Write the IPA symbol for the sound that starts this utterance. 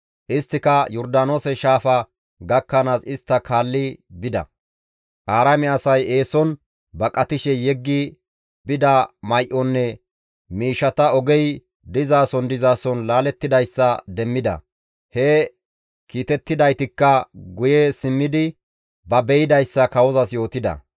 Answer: ʔ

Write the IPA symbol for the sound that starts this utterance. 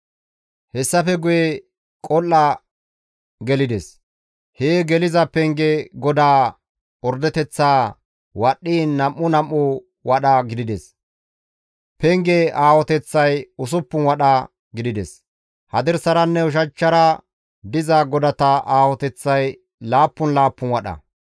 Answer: h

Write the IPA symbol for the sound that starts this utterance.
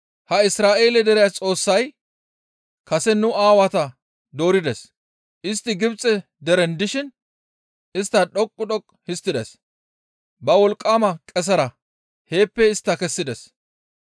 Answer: h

